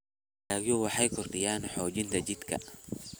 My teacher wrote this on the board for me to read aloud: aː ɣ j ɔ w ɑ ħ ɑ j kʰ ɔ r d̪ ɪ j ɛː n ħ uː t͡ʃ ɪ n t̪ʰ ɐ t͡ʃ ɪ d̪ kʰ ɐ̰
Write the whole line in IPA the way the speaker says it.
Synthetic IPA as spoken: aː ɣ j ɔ w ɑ ħ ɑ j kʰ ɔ r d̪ ɪ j aː n ħ ɔː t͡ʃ ɪ n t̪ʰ ɐ t͡ʃ ɪ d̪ kʰ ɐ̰